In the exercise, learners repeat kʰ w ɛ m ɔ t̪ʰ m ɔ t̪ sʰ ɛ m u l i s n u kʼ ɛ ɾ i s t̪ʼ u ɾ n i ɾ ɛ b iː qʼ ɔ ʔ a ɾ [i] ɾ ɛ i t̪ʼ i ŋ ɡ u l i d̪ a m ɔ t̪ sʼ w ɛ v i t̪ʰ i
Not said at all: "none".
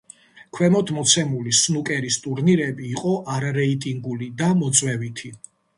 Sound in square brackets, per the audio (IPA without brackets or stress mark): a